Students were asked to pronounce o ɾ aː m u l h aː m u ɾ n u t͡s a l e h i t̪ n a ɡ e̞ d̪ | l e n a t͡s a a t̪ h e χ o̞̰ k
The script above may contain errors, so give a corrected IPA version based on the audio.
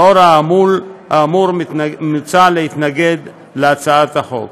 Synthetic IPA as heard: o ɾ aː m u l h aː m u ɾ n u t͡s a l e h i t̪ n a ɡ e̞ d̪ | l e a t͡s a a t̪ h a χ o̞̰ k